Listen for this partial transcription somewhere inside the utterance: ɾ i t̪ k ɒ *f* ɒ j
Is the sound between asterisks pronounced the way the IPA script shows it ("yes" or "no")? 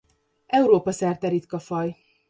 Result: yes